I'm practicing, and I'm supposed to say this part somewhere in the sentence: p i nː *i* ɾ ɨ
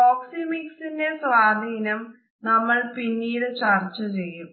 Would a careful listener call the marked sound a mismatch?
yes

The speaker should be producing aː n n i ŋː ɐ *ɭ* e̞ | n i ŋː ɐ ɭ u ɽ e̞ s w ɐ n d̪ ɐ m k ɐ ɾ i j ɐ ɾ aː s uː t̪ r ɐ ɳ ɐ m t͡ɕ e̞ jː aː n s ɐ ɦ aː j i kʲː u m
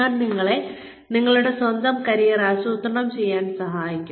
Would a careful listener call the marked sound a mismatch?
no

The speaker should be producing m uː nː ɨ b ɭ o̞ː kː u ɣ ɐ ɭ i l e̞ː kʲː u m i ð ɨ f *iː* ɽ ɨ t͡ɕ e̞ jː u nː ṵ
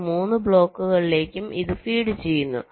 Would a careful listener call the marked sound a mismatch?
no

